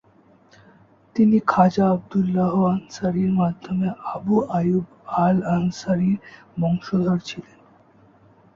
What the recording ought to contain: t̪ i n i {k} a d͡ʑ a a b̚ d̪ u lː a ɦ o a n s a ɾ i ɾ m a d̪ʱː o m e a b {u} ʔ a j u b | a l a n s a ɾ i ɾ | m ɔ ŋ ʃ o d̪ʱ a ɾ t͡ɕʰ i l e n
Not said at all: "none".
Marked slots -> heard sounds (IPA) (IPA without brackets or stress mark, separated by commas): kʰ, u